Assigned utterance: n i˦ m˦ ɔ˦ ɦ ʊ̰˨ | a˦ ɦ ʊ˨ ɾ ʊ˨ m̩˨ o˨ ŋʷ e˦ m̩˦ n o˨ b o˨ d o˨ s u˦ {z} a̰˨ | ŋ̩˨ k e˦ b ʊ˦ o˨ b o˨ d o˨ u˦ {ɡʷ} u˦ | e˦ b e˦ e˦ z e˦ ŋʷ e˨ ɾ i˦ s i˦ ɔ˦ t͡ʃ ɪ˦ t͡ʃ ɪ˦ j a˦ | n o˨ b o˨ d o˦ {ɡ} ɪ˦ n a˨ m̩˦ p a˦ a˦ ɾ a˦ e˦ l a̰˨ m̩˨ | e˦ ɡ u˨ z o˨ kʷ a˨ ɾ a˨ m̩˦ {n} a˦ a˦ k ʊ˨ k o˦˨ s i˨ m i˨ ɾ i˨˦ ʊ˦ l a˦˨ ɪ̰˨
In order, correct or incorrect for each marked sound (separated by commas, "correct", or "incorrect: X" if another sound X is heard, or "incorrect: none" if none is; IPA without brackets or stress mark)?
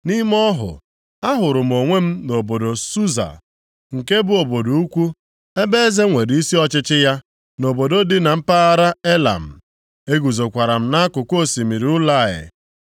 correct, incorrect: kʷ, incorrect: d, correct